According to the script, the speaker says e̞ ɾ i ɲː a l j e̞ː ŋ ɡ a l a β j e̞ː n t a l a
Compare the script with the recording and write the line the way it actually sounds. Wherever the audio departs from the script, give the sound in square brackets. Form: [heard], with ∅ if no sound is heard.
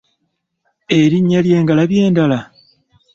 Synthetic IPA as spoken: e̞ ɾ i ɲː a l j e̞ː ŋ ɡ a l a β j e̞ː n [d] a l a